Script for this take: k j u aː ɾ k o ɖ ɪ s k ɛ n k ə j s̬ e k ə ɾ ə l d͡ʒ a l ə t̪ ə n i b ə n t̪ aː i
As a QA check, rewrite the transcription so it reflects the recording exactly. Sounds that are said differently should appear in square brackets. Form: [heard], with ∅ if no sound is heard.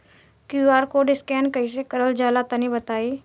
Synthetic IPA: k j u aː ɾ k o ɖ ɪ s k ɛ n k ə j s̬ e k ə ɾ ə l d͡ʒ a l [a] t̪ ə n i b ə [∅] t̪ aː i